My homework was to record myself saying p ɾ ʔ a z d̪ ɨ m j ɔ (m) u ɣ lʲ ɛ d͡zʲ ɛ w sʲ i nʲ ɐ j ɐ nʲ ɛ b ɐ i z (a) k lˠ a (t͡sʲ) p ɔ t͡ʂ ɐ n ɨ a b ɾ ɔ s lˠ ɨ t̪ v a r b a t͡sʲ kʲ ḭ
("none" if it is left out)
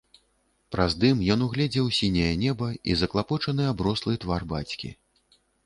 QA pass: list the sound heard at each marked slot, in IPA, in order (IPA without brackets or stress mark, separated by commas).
n, ɐ, none